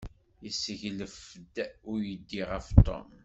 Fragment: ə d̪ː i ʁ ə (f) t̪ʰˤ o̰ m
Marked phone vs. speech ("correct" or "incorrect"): correct